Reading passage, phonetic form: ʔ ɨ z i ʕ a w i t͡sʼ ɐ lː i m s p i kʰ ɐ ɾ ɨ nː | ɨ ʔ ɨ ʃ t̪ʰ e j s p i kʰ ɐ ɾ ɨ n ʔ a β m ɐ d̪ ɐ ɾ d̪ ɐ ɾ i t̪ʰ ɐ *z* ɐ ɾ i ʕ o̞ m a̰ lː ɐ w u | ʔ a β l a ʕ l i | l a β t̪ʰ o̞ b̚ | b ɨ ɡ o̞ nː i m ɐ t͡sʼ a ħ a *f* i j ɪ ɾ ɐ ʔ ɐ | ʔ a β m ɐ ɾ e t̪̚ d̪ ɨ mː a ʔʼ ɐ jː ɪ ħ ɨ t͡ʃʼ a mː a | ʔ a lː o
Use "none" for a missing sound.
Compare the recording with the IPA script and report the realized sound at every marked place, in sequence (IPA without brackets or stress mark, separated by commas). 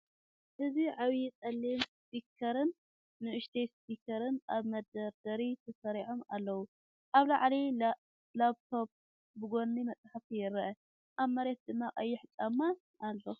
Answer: s, f